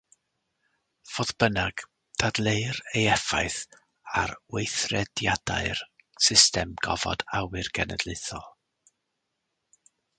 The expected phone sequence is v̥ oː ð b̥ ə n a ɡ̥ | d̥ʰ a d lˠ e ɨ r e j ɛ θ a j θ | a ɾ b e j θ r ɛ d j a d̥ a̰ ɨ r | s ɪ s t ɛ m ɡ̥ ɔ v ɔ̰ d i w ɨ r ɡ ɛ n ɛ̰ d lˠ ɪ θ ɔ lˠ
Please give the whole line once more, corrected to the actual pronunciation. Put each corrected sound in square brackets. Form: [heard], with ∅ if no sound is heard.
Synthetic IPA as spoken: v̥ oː ð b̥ ə n a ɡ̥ | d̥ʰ a d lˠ e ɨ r e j ɛ [f] a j θ | a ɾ [w] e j θ r ɛ d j a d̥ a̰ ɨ r | s ɪ s t ɛ m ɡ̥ ɔ v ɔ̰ d [a] w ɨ r ɡ ɛ n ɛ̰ d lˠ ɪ θ ɔ lˠ